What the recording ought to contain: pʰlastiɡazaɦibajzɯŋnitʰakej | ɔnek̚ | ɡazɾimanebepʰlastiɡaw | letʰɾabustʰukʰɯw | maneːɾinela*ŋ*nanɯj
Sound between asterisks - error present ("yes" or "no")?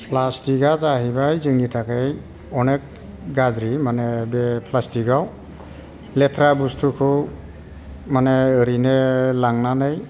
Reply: no